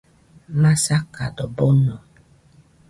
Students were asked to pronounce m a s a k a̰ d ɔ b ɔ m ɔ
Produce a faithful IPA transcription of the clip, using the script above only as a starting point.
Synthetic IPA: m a s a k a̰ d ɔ b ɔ n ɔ